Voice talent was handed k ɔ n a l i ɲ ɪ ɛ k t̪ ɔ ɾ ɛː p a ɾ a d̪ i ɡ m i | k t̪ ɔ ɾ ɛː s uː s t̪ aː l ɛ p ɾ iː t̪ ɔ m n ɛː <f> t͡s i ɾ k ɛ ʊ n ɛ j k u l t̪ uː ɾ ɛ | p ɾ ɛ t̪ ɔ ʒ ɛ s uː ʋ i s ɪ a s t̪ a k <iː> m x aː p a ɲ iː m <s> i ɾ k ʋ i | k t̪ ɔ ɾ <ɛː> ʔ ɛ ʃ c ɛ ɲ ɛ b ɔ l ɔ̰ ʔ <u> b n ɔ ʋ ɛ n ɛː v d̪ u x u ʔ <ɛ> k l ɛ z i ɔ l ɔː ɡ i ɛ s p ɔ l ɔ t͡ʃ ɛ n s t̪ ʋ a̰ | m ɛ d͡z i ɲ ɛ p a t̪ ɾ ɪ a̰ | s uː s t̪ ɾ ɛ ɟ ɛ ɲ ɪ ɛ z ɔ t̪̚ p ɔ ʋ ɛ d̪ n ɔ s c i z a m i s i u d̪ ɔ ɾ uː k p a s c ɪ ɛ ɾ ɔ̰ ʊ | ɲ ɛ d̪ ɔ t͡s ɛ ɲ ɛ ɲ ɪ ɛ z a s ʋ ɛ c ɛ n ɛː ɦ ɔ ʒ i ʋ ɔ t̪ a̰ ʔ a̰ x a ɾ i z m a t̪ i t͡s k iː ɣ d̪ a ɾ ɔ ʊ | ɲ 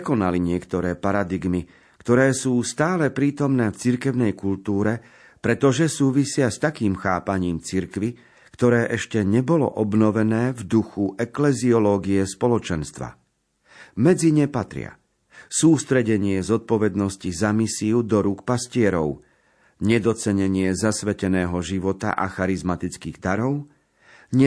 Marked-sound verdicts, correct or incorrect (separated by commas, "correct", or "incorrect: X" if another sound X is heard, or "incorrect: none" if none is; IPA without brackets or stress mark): correct, correct, incorrect: t͡s, correct, incorrect: ɔ, correct